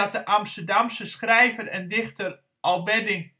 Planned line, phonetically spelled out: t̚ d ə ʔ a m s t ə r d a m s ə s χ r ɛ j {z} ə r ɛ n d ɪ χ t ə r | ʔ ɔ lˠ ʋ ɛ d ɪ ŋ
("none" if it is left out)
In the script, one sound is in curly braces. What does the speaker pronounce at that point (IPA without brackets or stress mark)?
v